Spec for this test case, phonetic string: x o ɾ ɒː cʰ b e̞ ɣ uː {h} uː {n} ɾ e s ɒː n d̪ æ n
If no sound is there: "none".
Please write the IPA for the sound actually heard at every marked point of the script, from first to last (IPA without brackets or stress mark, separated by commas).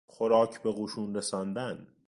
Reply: ʃ, n